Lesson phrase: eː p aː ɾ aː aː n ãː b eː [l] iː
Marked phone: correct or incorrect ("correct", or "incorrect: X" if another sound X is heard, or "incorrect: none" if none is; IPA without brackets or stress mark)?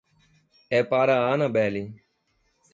correct